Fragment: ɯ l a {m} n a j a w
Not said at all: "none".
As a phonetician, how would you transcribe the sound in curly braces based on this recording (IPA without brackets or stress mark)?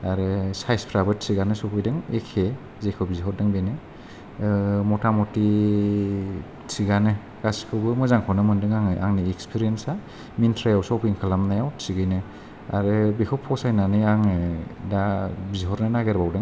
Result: m